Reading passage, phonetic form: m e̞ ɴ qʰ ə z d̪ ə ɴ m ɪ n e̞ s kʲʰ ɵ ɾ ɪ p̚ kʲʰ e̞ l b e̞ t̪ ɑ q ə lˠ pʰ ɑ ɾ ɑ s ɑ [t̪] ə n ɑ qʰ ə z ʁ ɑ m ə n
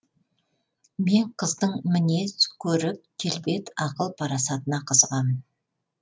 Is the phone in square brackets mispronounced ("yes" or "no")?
no